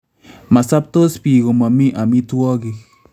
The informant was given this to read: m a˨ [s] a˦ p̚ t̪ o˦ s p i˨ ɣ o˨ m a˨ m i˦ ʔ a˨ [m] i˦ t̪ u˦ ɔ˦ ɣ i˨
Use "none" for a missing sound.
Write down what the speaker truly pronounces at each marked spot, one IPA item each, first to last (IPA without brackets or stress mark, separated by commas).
s, m